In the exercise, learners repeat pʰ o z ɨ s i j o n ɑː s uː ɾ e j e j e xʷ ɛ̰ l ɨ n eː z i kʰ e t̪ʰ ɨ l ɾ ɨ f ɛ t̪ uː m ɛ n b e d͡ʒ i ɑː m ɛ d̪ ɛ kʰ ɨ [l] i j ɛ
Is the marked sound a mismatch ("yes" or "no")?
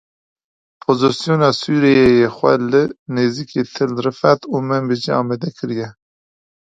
yes